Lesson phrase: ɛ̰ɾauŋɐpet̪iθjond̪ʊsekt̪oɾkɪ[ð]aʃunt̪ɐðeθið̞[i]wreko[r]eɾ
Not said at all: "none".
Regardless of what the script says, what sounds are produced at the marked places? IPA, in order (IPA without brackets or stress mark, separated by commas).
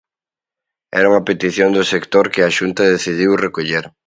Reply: none, i, ʎ